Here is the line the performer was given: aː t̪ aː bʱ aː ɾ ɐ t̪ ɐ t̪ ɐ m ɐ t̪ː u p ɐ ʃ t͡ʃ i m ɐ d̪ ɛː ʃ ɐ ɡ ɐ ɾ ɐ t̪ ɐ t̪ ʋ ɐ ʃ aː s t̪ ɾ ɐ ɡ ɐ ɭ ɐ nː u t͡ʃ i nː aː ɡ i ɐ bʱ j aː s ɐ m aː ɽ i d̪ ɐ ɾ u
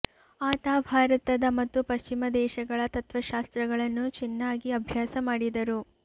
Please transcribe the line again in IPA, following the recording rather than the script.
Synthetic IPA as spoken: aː t̪ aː bʱ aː ɾ ɐ t̪ ɐ d̪ ɐ m ɐ t̪ː u p ɐ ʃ t͡ʃ i m ɐ d̪ ɛː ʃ ɐ ɡ ɐ ɭ ɐ t̪ ɐ t̪ ʋ ɐ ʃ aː s t̪ ɾ ɐ ɡ ɐ ɭ ɐ nː u t͡ʃ i nː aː ɡ i ɐ bʱ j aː s ɐ m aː ɽ i d̪ ɐ ɾ u